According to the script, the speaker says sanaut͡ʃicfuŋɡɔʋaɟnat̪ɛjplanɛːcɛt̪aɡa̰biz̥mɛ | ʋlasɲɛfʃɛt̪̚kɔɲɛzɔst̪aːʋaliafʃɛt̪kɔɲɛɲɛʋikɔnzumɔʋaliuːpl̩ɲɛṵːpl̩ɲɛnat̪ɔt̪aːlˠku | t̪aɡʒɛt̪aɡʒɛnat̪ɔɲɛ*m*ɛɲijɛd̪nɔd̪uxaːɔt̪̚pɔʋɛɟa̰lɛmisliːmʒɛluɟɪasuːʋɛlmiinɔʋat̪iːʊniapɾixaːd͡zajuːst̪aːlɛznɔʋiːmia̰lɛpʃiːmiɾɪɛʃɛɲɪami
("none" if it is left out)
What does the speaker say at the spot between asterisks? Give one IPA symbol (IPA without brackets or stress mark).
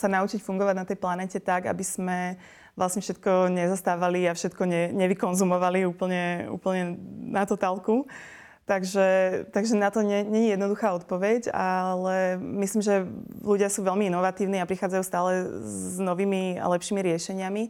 ɲ